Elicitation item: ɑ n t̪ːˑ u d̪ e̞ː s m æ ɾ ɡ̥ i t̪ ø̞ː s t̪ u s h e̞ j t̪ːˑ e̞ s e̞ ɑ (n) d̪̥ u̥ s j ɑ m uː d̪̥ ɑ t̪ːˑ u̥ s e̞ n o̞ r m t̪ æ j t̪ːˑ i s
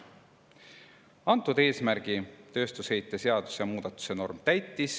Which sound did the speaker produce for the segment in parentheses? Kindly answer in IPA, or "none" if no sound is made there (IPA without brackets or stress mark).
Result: none